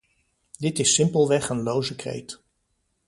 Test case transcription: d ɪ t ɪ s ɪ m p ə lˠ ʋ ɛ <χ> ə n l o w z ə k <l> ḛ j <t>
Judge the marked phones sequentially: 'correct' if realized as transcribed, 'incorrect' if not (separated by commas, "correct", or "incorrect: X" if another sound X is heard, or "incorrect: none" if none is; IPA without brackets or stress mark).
correct, incorrect: r, correct